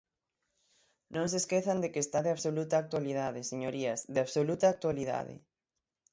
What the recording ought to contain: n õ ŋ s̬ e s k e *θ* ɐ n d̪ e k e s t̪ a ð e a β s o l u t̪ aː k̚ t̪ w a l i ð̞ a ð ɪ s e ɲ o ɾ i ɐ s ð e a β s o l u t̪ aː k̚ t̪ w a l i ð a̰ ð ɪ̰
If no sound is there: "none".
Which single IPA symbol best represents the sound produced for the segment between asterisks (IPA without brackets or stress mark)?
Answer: θ